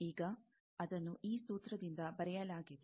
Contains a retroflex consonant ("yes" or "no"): no